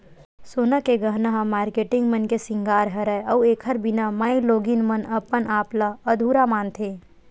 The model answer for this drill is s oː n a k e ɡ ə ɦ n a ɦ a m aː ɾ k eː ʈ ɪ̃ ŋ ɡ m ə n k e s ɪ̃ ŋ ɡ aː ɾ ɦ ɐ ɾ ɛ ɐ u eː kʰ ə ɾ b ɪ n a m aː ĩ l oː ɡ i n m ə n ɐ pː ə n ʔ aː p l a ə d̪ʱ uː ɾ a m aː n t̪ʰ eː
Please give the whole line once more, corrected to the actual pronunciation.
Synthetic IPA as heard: s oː n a k e ɡ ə ɦ n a ɦ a m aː ɾ k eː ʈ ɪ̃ ŋ ɡ m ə n k e s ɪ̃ ŋ ɡ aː ɾ ɦ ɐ ɾ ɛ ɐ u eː kʰ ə ɾ b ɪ n a m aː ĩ l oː ɡ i n m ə n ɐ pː ə n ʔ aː p l a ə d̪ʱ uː ɾ a m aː n t̪ʰ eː